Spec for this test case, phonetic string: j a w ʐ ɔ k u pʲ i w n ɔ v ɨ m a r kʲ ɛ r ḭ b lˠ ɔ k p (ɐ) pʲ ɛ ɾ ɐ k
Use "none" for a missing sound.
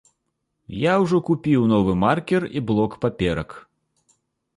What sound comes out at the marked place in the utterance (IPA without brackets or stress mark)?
a